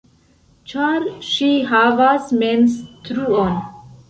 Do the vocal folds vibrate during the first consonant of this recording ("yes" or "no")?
no